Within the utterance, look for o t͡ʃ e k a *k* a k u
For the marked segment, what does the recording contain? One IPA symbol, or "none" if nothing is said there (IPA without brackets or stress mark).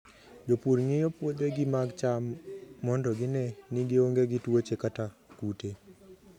t